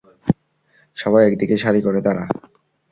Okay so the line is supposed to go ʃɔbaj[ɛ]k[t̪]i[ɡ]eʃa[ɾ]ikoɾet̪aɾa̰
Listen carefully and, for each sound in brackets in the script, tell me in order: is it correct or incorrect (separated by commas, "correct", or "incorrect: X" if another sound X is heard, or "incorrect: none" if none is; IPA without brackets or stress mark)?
correct, incorrect: d̪, incorrect: k, correct